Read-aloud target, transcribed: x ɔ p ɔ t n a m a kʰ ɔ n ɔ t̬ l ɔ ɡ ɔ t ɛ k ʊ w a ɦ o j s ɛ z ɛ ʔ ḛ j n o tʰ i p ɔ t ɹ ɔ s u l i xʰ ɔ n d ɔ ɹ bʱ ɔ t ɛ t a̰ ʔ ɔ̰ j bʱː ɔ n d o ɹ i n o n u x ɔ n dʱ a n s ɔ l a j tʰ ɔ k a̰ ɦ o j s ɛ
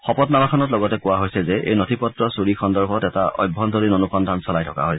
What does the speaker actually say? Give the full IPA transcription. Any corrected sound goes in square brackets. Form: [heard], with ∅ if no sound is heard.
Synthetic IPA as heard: x ɔ p ɔ t n a m a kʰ ɔ n ɔ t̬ l ɔ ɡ ɔ t ɛ k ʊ w a ɦ o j s ɛ z ɛ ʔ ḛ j n o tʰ i p ɔ t ɹ ɔ s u [ɹ] i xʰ ɔ n d ɔ ɹ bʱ ɔ t ɛ t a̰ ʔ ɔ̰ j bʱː ɔ n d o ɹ i n o n u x ɔ n dʱ a n s ɔ l a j tʰ ɔ k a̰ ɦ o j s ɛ